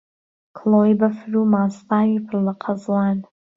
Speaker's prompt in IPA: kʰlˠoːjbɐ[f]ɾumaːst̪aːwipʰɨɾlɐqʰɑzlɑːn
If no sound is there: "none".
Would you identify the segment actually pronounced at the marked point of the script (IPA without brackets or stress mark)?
f